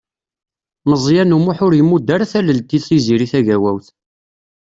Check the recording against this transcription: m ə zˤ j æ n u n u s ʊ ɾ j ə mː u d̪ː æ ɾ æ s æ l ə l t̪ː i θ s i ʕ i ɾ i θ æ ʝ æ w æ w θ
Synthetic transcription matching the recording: m ə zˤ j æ n u m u ħ ʊ ɾ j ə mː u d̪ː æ ɾ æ θ æ l ə l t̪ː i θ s i z i ɾ i θ æ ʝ æ w æ w θ